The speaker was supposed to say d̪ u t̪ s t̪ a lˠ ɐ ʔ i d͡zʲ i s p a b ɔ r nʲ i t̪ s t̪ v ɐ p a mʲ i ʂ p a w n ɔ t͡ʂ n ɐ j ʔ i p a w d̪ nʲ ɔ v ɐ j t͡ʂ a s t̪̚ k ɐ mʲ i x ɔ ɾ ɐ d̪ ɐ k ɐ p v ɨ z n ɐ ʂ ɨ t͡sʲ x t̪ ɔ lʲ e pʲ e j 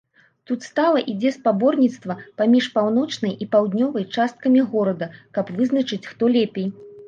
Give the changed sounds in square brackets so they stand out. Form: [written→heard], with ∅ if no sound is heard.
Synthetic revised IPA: [d̪→t̪] u t̪ s t̪ a lˠ ɐ ʔ i d͡zʲ [i→ɛ] s p a b ɔ r nʲ i t̪ s t̪ v ɐ p a mʲ i ʂ p a w n ɔ t͡ʂ n ɐ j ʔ i p a w d̪ nʲ ɔ v ɐ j t͡ʂ a s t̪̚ k ɐ mʲ i [x→ɣ] ɔ ɾ ɐ d̪ ɐ k ɐ p v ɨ z n ɐ [ʂ→t͡ʂ] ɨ t͡sʲ x t̪ ɔ lʲ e pʲ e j